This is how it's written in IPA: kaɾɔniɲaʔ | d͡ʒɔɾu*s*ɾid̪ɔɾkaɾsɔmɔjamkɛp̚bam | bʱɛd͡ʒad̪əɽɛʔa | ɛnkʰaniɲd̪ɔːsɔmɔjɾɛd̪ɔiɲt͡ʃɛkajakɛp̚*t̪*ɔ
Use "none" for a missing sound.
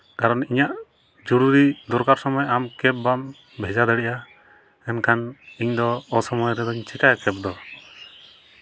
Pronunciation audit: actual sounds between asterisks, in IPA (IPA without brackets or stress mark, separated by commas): none, d̪